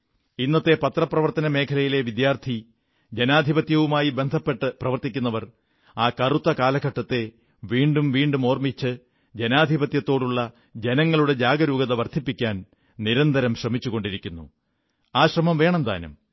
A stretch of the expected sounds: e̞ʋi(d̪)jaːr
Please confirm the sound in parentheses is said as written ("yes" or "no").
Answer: yes